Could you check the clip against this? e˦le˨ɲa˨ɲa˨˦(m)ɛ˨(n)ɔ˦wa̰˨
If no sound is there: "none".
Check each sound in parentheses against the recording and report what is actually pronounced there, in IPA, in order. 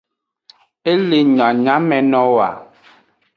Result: m, n

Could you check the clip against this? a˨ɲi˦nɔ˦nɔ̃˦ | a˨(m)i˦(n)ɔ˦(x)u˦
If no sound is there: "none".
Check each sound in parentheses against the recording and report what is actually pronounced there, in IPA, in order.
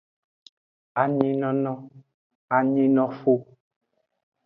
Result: ɲ, n, f

